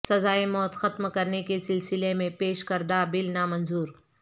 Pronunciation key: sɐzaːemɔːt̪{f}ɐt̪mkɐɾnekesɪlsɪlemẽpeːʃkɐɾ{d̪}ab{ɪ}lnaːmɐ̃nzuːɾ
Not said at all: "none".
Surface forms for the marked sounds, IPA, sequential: x, d̪, ɪ

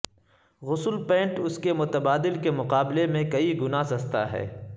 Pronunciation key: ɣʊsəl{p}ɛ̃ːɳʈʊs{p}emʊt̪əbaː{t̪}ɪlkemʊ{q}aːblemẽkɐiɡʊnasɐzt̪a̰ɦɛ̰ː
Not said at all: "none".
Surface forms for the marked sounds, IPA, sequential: p, k, d̪, q

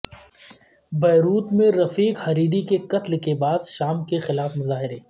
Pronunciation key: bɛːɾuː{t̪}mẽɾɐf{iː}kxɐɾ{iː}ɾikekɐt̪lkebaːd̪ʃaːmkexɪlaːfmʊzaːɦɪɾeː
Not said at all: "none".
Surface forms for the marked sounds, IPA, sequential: t̪, iː, iː

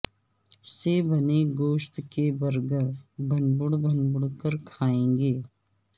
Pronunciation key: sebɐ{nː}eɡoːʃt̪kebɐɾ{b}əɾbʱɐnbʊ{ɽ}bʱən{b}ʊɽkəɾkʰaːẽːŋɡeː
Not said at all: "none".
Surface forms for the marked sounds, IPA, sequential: n, ɡ, ɽ, b

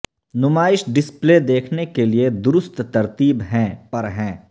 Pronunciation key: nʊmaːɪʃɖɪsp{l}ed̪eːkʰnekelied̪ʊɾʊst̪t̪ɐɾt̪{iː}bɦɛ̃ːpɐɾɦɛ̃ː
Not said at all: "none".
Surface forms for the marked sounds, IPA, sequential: l, iː

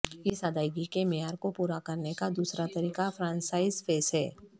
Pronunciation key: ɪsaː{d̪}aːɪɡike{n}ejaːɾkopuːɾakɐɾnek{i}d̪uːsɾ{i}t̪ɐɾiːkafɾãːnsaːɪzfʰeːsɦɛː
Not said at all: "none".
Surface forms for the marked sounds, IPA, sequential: d̪, m, a, a

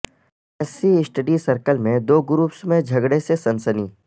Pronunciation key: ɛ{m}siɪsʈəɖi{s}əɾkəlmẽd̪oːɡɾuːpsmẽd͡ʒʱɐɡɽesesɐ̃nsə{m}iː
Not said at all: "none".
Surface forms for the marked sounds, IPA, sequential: none, s, n

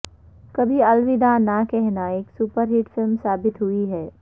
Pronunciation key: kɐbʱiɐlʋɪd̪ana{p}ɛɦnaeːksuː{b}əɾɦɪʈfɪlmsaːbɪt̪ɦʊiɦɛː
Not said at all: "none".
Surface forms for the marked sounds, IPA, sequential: k, p

